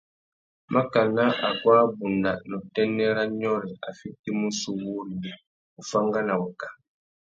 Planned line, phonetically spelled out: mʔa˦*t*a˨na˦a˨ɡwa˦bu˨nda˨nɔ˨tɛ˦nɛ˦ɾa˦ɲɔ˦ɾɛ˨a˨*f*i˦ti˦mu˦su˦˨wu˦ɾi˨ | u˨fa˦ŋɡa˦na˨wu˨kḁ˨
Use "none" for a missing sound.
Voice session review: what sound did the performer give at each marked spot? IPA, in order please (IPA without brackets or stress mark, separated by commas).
k, f